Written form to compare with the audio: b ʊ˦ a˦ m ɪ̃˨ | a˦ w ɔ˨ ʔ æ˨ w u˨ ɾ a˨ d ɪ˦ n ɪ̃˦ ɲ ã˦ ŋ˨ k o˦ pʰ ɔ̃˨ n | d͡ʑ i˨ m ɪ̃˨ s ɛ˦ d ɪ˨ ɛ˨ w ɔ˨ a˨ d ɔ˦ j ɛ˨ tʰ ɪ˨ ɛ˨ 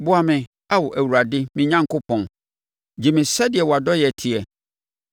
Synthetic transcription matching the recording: b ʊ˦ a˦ m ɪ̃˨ | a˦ w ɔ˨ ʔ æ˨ w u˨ ɾ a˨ d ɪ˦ m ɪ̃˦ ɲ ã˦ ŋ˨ k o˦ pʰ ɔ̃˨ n | d͡ʑ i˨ m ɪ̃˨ s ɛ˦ d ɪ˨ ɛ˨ w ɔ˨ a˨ d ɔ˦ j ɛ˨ tʰ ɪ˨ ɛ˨